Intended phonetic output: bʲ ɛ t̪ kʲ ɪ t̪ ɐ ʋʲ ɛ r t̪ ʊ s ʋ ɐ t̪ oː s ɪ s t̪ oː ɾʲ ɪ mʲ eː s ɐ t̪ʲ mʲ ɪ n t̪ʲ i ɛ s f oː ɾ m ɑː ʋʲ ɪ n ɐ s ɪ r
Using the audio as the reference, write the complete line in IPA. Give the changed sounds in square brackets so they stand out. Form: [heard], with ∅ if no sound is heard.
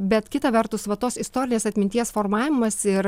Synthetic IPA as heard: bʲ ɛ t̪ kʲ ɪ t̪ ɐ ʋʲ ɛ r t̪ ʊ s ʋ ɐ t̪ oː s ɪ s t̪ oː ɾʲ ɪ [nʲ] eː s ɐ t̪ʲ mʲ ɪ n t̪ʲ i ɛ s f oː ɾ m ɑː ʋʲ ɪ [m] ɐ s ɪ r